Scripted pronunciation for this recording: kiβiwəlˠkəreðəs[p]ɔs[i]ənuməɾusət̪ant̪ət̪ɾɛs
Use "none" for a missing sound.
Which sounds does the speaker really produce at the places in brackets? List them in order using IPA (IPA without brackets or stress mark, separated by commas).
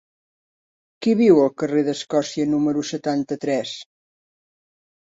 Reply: k, i